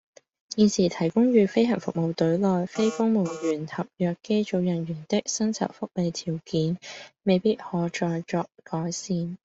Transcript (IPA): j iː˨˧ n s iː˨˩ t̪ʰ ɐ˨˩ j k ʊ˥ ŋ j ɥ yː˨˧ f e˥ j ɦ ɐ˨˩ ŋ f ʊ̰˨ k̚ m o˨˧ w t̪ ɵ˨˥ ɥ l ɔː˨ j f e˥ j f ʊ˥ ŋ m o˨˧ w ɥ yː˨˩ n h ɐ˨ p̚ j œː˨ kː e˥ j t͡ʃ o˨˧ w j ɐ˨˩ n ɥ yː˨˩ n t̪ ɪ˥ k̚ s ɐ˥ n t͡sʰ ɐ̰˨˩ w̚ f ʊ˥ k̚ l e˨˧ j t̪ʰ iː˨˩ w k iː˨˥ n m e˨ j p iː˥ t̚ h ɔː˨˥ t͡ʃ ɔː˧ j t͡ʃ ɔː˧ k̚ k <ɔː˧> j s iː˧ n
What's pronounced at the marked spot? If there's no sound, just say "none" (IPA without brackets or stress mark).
ɔː˨˥